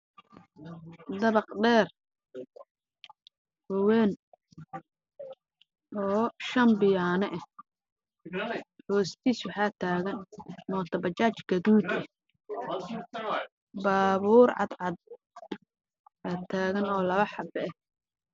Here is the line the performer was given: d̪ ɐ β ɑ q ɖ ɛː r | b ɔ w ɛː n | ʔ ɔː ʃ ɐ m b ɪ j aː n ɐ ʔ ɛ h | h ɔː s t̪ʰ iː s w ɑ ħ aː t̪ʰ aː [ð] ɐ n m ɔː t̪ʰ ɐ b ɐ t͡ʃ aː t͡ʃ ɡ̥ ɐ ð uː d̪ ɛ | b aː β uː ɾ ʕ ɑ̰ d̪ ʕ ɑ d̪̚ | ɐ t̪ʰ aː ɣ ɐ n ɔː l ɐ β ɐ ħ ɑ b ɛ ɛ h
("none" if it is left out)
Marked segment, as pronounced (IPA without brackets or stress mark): ɣ